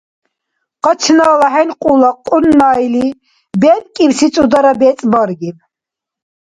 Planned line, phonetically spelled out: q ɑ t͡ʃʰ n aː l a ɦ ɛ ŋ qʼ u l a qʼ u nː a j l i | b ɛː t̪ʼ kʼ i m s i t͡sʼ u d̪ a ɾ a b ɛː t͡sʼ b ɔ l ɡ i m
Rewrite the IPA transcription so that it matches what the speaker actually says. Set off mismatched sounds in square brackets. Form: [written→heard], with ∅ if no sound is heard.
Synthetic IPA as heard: q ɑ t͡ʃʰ n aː l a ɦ ɛ [ŋ→n] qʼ u l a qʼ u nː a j l i | b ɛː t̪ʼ kʼ i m s i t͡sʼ u d̪ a ɾ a b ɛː t͡sʼ b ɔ [l→ɾ] ɡ i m